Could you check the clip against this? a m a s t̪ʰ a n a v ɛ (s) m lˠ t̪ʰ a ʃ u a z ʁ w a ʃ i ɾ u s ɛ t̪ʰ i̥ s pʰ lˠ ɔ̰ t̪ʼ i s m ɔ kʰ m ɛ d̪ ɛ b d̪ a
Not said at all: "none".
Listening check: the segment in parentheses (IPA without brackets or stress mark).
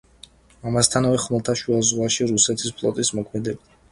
χ